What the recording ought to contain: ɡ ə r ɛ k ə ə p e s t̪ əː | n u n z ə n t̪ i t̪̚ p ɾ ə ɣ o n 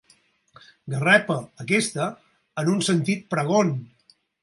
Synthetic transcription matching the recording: ɡ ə r ɛ p ə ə k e s t̪ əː | n u n s ə n t̪ i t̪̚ p ɾ ə ɣ o n